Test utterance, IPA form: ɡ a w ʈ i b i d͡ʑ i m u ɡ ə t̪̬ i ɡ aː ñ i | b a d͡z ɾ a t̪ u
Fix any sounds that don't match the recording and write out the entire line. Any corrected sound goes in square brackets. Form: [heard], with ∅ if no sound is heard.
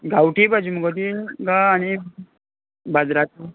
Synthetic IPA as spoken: ɡ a w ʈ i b [a] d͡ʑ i m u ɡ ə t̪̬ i ɡ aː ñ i | b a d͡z ɾ a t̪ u